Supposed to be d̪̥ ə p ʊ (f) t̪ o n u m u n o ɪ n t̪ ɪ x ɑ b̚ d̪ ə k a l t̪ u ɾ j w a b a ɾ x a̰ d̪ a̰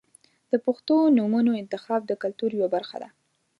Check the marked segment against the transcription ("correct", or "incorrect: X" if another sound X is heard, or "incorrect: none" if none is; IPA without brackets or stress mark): incorrect: x